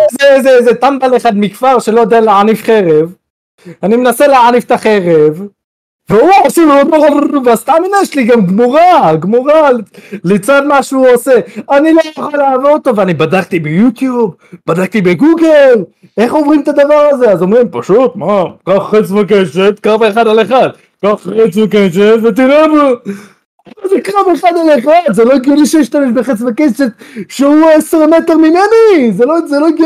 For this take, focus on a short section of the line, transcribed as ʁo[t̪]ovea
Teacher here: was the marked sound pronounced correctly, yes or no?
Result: yes